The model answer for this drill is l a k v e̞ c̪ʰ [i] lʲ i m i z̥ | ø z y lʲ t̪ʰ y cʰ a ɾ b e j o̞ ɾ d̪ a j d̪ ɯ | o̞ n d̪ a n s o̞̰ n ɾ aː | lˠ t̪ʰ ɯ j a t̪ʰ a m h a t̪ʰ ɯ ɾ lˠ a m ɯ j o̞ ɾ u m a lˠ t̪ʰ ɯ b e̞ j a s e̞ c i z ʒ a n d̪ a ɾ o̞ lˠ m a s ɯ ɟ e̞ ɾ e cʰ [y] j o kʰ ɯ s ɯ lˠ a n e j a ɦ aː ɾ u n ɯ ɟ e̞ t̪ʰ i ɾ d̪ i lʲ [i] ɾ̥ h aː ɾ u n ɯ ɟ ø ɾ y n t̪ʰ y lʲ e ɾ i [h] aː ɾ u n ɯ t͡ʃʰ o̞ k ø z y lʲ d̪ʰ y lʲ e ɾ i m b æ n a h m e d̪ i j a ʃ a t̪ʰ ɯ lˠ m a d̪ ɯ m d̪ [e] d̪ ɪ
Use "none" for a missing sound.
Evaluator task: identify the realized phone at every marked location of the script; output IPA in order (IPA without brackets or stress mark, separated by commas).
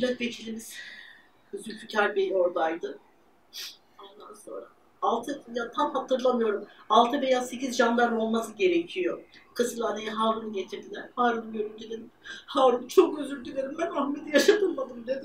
i, i, æ, h, e